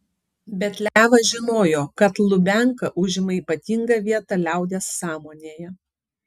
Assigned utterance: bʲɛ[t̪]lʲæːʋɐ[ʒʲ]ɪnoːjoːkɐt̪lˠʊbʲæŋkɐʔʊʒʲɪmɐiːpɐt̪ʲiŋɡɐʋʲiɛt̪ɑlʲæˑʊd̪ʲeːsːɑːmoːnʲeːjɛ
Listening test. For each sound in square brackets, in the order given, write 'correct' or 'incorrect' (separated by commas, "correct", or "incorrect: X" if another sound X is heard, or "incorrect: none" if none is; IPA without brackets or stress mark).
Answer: correct, correct